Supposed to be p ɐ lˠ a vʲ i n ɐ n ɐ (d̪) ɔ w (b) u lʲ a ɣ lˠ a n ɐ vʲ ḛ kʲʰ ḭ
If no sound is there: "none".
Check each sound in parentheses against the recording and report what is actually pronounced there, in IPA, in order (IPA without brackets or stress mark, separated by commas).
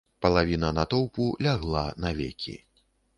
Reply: t̪, p